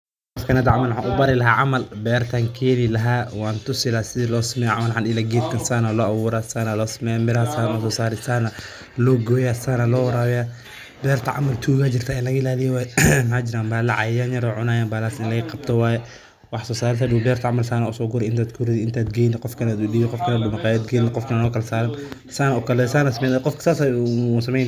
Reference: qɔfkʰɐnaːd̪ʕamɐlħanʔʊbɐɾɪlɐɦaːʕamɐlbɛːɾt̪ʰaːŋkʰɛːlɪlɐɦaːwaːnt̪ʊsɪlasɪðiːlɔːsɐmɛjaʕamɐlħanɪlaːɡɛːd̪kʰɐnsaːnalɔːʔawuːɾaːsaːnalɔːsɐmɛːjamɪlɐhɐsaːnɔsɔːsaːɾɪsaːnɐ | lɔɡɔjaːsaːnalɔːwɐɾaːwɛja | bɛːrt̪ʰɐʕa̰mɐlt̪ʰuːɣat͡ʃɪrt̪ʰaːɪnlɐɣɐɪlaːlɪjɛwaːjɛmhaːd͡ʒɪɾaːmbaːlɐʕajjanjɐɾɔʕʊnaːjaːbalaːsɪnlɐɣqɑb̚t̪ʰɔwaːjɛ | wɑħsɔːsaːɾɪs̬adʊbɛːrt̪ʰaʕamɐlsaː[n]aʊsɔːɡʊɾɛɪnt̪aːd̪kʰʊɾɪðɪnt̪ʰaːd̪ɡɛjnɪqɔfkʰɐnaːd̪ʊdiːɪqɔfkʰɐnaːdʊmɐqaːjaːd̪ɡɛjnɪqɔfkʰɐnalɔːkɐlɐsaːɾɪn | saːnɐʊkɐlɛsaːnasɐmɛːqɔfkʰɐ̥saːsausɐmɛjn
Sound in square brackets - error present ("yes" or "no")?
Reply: no